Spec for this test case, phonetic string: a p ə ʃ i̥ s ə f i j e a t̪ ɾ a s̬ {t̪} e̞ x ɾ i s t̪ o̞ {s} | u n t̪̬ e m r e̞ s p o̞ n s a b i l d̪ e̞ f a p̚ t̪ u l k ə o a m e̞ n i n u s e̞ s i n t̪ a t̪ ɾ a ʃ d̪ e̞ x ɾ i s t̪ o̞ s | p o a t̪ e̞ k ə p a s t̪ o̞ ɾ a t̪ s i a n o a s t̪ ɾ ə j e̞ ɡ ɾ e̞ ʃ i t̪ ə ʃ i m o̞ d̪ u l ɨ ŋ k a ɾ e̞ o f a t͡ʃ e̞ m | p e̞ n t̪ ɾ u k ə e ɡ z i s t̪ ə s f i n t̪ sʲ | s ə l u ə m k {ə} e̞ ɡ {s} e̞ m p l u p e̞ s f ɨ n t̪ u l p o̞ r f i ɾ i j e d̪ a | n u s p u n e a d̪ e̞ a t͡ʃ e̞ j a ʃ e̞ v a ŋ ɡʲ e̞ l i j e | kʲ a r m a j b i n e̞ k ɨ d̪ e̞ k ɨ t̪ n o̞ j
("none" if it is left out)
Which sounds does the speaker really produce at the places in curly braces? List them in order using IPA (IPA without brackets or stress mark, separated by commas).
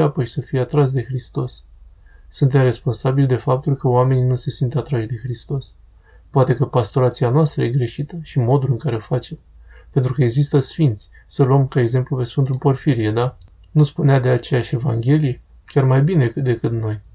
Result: d̪, sː, a, z